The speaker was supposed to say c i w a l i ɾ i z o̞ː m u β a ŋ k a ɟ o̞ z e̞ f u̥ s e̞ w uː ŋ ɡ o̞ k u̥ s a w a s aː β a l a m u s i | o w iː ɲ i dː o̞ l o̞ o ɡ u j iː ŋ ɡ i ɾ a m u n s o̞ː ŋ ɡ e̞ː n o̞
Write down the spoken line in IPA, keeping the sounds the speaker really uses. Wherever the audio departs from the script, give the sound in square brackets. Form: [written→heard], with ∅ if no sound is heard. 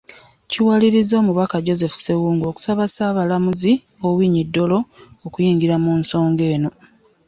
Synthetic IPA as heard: c i w a l i ɾ i z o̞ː m u β a [ŋ→∅] k a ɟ o̞ z e̞ f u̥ s e̞ w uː ŋ ɡ o̞ k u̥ s a [w→β] a s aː β a l a m u [s→z] i | o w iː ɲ i dː o̞ l o̞ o [ɡ→k] u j iː ŋ ɡ i ɾ a m u n s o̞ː ŋ ɡ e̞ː n o̞

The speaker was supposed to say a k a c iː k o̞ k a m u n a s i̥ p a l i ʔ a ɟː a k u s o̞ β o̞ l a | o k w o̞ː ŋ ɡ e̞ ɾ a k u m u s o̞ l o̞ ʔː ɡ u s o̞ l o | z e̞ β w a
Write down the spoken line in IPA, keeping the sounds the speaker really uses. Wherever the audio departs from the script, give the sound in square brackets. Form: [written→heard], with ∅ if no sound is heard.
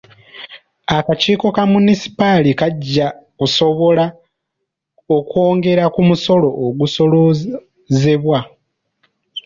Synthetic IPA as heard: a k a c iː k o̞ k a m u n [a→i] s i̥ p a l i [ʔ→k] a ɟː a k u s o̞ β o̞ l a | o k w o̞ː ŋ ɡ e̞ ɾ a k u m u s o̞ l o̞ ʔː ɡ u s o̞ l o | z e̞ β w a

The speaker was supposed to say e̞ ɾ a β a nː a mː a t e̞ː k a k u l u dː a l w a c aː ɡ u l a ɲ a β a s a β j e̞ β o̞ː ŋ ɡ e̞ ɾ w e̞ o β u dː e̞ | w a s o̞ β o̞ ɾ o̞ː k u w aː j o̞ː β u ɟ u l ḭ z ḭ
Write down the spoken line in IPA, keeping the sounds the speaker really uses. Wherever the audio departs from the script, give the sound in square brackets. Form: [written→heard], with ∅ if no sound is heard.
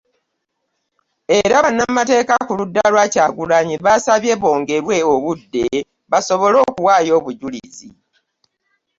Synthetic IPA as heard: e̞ ɾ a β a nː a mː a t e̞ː k a k u l u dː a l w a c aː ɡ u l a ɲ [a→i] β a s a β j e̞ β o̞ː ŋ ɡ e̞ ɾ w e̞ o β u dː e̞ | [w→β] a s o̞ β o̞ [ɾ→l] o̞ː k u w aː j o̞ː β u ɟ u l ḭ z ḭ

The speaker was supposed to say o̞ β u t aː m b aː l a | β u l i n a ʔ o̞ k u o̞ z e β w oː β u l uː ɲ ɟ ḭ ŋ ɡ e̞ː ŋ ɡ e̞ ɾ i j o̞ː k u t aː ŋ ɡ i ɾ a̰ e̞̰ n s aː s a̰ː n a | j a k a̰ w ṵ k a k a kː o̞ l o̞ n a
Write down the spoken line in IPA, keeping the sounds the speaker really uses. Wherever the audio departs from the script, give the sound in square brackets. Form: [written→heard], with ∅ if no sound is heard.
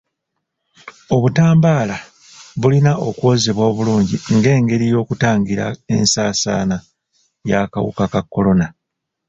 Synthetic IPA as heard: o̞ β u t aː m b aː l a | β u l i n a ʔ o̞ k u o̞ z e β w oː β u l uː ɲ ɟ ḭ ŋ ɡ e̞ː ŋ ɡ e̞ ɾ i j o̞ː k u t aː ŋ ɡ i ɾ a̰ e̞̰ n s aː s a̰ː n a | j a k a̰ w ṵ k a k a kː o̞ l o̞ n a

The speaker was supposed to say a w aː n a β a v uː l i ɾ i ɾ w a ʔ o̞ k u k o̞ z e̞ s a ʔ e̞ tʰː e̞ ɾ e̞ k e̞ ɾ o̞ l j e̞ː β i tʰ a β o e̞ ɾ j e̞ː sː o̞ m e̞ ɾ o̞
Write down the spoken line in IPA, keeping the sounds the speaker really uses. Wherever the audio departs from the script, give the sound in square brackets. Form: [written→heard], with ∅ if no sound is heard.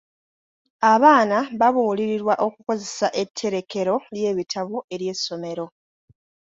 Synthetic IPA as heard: a [w→β] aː n a β a [v→β] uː l i ɾ i ɾ w a ʔ o̞ k u k o̞ z e̞ s a ʔ e̞ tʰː e̞ ɾ e̞ k e̞ ɾ o̞ l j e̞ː β i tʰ a β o e̞ ɾ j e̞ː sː o̞ m e̞ ɾ o̞

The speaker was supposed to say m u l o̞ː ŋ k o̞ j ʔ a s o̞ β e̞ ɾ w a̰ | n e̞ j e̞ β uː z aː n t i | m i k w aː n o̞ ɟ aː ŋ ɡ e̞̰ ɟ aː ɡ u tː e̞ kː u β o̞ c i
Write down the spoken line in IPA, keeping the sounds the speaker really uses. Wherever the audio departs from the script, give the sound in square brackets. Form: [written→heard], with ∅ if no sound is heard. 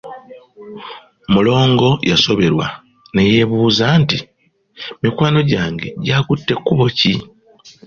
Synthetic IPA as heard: m u l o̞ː ŋ [k→ɡ] o̞ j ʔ a s o̞ β e̞ ɾ w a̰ | n e̞ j e̞ β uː z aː n t i | m i k w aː n o̞ ɟ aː ŋ ɡ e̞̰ ɟ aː [ɡ→k] u tː e̞ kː u β o̞ c i

